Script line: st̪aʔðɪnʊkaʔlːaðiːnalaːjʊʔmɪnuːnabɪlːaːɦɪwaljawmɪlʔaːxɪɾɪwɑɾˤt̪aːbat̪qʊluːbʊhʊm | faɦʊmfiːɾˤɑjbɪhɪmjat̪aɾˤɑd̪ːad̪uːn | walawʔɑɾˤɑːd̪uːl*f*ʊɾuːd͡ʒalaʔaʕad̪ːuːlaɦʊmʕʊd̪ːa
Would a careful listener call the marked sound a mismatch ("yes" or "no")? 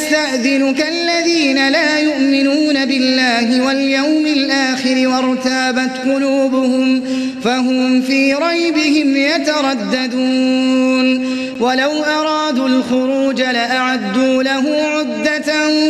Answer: yes